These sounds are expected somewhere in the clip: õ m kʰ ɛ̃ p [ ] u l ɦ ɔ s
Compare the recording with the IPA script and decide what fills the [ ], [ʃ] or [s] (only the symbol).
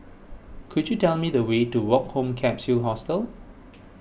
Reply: s